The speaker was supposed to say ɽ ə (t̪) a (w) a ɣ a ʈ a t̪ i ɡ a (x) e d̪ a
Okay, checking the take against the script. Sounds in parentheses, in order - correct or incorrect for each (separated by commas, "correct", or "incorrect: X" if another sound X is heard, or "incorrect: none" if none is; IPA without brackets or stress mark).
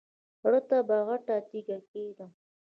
correct, incorrect: b, incorrect: k